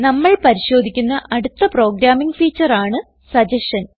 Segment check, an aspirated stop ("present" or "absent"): absent